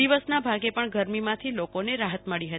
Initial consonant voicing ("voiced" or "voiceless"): voiced